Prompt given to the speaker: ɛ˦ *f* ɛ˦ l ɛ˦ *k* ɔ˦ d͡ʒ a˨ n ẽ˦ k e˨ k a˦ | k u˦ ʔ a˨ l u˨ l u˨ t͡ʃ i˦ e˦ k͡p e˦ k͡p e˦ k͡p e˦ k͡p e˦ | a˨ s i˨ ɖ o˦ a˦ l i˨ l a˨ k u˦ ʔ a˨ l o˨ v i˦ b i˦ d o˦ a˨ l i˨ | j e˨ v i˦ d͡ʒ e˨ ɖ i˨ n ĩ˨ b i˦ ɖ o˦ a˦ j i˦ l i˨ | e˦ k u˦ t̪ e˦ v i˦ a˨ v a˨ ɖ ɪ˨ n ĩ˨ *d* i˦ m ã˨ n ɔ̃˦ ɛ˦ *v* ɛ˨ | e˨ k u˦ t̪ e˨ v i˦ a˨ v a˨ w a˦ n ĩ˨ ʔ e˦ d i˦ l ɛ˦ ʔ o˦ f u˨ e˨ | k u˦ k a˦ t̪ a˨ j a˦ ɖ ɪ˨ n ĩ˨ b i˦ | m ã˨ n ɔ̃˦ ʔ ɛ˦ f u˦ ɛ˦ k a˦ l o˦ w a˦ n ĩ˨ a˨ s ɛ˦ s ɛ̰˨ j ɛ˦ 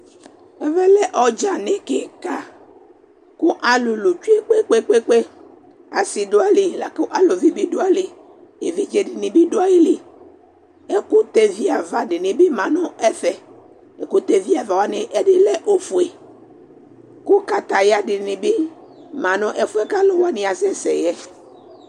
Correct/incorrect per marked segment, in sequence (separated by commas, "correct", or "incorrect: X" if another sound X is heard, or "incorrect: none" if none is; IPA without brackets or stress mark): incorrect: v, incorrect: ʔ, incorrect: b, incorrect: f